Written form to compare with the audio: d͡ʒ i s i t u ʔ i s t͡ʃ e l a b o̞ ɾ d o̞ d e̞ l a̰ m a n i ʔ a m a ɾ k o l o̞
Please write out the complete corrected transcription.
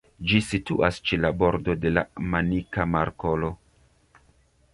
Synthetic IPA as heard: d͡ʒ i s i t u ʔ a s t͡ʃ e l a b o̞ ɾ d o̞ d e̞ l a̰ m a n i k a m a ɾ k o l o̞